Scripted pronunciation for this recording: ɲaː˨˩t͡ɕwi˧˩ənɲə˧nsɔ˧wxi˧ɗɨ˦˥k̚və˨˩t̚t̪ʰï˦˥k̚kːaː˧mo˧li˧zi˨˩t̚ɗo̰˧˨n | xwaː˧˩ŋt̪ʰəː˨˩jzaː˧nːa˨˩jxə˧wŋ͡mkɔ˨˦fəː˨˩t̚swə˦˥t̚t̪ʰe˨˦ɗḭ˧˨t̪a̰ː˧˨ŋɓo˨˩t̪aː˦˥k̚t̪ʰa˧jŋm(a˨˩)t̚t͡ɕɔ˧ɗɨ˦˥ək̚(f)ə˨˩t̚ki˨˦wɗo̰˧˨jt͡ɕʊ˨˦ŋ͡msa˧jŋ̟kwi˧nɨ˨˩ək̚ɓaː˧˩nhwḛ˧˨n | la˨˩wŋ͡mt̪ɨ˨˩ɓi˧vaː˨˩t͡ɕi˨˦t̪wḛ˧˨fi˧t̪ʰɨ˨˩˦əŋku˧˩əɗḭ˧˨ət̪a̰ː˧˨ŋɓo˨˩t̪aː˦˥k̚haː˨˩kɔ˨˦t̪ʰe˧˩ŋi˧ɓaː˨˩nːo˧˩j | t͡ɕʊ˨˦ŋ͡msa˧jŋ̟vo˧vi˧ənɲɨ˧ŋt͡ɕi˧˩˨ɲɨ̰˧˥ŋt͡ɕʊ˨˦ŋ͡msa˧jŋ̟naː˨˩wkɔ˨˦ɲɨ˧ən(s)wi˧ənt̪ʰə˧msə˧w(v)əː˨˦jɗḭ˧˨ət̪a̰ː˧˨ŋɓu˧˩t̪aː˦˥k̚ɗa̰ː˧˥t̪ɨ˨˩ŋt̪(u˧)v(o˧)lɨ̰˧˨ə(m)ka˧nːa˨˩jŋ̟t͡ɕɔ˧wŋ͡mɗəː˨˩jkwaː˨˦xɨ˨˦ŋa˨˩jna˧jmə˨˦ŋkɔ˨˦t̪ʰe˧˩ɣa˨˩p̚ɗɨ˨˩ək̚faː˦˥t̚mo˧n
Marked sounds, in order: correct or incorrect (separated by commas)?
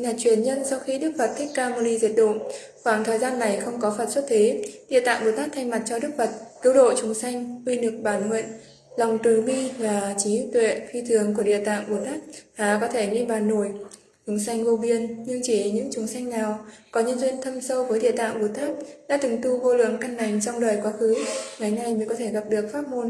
correct, incorrect, incorrect, correct, correct, correct, incorrect